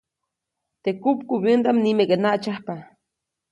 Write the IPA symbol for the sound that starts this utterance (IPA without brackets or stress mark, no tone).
t̪